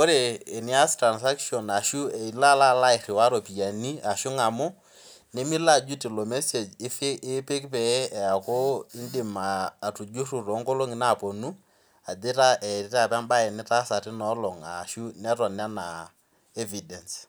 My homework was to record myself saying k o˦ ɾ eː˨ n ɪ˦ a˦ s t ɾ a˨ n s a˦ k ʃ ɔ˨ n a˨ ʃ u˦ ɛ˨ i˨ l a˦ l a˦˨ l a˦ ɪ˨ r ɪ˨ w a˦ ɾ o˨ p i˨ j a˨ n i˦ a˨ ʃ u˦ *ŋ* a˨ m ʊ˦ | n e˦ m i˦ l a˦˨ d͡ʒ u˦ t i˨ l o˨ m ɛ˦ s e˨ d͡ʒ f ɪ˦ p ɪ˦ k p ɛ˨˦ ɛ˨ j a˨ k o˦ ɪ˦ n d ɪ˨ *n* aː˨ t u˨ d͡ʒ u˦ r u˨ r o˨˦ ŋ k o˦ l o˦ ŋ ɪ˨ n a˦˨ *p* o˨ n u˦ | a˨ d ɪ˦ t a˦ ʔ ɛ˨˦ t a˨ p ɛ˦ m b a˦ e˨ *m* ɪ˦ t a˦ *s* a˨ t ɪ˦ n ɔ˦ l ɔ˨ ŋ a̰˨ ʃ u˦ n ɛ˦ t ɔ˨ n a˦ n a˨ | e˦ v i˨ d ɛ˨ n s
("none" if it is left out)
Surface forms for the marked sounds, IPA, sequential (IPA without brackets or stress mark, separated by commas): ŋ, m, p, n, s